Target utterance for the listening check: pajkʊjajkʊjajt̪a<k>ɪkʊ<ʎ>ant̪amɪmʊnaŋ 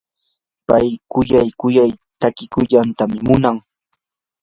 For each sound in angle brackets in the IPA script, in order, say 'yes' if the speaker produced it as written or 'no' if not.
yes, yes

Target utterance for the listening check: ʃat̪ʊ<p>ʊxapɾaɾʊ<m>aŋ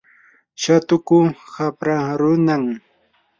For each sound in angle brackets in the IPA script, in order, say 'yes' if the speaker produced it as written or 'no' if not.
no, no

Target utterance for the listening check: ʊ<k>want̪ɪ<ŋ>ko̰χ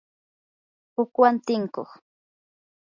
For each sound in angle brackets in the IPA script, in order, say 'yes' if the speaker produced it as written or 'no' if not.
yes, yes

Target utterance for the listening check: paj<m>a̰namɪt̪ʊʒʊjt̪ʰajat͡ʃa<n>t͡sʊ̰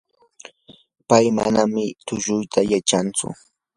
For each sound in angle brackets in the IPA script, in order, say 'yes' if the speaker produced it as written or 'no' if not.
yes, yes

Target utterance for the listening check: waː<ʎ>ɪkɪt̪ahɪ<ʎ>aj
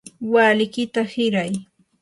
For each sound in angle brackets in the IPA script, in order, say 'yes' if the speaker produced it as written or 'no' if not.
no, no

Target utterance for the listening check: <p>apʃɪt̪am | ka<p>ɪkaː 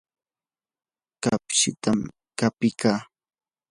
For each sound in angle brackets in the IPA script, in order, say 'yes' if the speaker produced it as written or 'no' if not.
no, yes

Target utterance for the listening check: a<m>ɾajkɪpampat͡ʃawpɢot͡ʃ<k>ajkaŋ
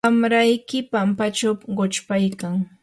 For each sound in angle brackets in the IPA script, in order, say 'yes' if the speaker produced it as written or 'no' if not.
yes, no

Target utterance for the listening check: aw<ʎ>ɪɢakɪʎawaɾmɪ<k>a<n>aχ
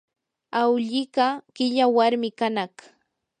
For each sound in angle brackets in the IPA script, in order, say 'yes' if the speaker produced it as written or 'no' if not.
yes, yes, yes

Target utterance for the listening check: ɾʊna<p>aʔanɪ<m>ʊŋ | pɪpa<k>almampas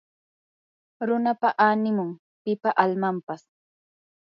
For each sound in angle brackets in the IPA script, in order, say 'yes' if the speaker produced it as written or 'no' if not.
yes, yes, no

